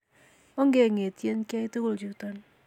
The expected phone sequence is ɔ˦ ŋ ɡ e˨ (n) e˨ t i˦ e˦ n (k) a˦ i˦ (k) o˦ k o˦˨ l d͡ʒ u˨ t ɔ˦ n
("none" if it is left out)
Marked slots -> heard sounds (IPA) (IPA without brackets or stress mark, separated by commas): ŋ, k, t